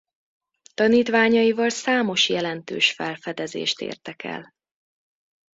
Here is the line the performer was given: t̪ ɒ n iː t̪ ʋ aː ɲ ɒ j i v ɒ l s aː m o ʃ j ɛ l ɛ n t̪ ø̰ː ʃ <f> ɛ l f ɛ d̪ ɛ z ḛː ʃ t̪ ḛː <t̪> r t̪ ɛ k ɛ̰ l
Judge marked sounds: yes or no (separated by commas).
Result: yes, no